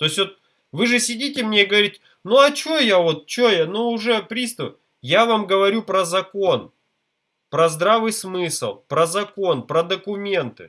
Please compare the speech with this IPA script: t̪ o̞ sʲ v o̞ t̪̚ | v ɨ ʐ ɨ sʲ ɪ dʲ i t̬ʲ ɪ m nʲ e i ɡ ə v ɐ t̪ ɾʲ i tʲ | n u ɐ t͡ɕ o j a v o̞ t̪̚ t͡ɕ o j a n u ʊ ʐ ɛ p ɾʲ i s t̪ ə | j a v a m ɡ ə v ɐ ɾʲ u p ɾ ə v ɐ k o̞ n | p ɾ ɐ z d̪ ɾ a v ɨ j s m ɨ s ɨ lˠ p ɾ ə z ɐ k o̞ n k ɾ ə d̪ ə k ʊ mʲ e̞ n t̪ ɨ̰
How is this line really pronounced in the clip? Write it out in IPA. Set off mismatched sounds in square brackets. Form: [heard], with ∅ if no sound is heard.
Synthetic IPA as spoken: t̪ o̞ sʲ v o̞ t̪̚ | v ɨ ʐ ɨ sʲ ɪ dʲ i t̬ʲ ɪ m nʲ e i ɡ ə v ɐ [∅] ɾʲ i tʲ | n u ɐ t͡ɕ o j a v o̞ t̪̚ t͡ɕ o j a n u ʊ ʐ ɛ p ɾʲ i s t̪ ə | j a v a m ɡ ə v ɐ ɾʲ u p ɾ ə [z] ɐ k o̞ n | p ɾ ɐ z d̪ ɾ a v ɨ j s m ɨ s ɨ lˠ p ɾ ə z ɐ k o̞ n [p] ɾ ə d̪ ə k ʊ mʲ e̞ n t̪ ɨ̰